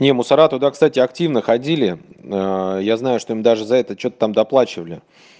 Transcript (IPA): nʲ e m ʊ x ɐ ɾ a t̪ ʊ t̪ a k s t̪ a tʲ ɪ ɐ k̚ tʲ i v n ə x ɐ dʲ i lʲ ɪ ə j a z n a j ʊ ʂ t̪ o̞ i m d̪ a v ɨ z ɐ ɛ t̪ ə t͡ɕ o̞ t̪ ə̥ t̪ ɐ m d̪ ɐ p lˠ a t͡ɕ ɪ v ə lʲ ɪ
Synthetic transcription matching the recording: nʲ e m ʊ s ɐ ɾ a t̪ ʊ d̪ a k s t̪ a tʲ ɪ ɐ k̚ tʲ i v n ə x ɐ dʲ i lʲ ɪ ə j a z n a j ʊ ʂ t̪ o̞ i m d̪ a ʐ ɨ z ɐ ɛ t̪ ə t͡ɕ o̞ t̪ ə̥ t̪ a m d̪ ɐ p lˠ a t͡ɕ ɪ v ə lʲ ɪ

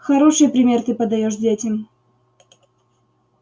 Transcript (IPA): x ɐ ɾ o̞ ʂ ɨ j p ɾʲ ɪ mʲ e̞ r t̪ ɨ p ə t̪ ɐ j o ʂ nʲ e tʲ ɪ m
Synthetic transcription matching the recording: x ɐ ɾ o̞ ʂ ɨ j p ɾʲ ɪ mʲ e̞ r t̪ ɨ p ə d̪ ɐ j o ʂ dʲ e tʲ ɪ m

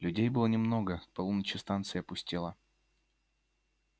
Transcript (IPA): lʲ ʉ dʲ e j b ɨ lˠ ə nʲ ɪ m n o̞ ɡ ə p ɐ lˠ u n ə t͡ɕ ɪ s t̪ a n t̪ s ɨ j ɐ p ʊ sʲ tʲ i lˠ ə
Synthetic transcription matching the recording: lʲ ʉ dʲ e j b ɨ lˠ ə nʲ ɪ m n o̞ ɡ ə p ɐ lˠ u n ə t͡ɕ ɪ s t̪ a n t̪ s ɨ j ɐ p ʊ sʲ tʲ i lˠ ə

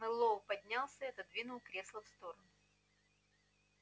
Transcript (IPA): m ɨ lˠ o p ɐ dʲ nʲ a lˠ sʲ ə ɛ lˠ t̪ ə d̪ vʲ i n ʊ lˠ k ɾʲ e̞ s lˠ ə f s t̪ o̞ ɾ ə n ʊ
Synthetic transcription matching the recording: m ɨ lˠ o p ɐ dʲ nʲ a lˠ sʲ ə ɛ t̪ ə d̪ vʲ i n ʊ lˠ k ɾʲ e̞ s lˠ ə f s t̪ o̞ ɾ ə n ʊ

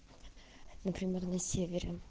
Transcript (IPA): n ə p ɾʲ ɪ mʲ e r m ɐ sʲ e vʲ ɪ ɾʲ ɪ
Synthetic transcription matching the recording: n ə p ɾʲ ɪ mʲ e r n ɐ sʲ e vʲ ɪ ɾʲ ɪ

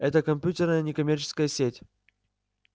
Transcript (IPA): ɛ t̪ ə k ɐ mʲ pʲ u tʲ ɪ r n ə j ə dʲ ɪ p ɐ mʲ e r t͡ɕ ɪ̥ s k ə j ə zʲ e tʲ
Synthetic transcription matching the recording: ɛ t̪ ə k ɐ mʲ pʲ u tʲ ɪ r n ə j ə nʲ ɪ k ɐ mʲ e r t͡ɕ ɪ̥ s k ə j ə sʲ e tʲ

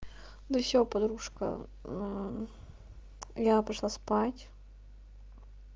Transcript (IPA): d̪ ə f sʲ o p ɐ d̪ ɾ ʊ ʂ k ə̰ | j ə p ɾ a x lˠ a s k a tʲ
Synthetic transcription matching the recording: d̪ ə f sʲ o p ɐ d̪ ɾ u ʂ k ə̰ | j a p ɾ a ʂ lˠ a s p a tʲ

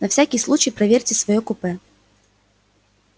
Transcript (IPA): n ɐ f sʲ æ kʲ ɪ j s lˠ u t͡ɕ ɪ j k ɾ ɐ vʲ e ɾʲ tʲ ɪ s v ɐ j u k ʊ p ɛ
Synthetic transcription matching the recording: n ɐ f sʲ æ kʲ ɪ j s lˠ u t͡ɕ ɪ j p ɾ ɐ vʲ e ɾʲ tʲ ɪ s v ɐ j o k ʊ p ɛ

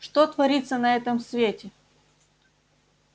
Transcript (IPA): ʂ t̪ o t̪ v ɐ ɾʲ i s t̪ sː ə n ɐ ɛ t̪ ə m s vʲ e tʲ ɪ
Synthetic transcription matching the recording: ʂ t̪ o t̪ v ɐ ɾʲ i t̪ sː ə n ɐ ɛ t̪ ə m s vʲ e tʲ ɪ

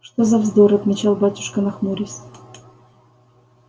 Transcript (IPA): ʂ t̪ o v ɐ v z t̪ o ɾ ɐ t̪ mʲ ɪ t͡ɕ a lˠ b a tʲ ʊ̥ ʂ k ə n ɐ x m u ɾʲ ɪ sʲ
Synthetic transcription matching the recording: ʂ t̪ o z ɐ v z d̪ o ɾ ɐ t̪ mʲ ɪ t͡ɕ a lˠ b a tʲ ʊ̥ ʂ k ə n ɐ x m u ɾʲ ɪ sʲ

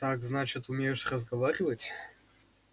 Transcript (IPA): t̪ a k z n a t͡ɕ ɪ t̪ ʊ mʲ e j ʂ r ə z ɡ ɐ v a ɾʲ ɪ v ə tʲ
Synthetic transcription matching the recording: t̪ a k z n a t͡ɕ ɪ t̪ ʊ mʲ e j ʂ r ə z ɡ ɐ v a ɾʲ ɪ v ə tʲ

